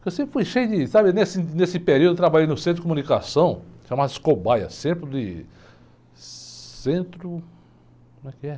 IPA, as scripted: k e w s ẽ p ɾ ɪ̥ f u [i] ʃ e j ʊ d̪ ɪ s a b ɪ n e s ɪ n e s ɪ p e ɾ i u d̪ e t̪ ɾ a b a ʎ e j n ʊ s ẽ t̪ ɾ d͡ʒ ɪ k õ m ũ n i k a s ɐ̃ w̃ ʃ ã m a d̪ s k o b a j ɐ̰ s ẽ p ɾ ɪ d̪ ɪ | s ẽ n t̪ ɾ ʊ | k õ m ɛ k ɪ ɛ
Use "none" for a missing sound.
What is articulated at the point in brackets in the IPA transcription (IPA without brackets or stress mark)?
j